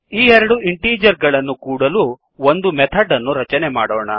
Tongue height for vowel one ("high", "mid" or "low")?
high